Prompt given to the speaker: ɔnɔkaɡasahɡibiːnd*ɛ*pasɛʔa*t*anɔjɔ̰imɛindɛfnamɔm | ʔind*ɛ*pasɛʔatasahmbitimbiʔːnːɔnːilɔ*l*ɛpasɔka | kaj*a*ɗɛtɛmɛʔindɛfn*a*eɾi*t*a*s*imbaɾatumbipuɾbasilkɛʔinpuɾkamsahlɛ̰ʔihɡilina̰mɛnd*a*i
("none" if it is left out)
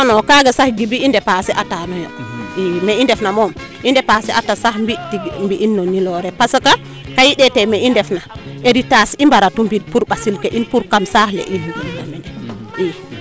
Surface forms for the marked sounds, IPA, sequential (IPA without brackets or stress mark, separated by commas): ɛ, t, ɛ, ɾ, i, a, t, s, ɛ